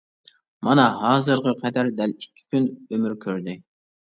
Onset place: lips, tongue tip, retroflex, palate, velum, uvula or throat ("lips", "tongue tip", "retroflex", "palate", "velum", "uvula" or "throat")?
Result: lips